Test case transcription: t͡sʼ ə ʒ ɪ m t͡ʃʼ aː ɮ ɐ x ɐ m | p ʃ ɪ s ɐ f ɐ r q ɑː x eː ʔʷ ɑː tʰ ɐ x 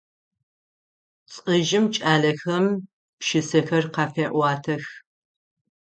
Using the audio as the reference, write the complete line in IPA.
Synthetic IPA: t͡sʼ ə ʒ ɪ m t͡ʃʼ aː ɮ ɐ x ɐ m | p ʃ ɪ s ɐ x ɐ r q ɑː f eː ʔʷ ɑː tʰ ɐ x